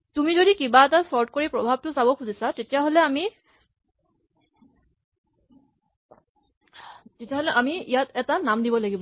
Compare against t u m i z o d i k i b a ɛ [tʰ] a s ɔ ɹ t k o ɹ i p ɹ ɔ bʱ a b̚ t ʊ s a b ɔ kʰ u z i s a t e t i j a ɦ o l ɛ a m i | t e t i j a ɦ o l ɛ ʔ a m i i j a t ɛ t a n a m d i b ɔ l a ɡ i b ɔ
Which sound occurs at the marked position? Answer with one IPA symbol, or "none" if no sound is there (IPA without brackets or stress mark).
t